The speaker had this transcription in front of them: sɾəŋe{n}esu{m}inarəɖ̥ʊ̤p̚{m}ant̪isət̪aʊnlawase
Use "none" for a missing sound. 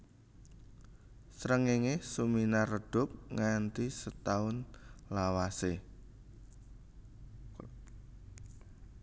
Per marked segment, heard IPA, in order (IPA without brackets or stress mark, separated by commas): ŋ, m, ŋ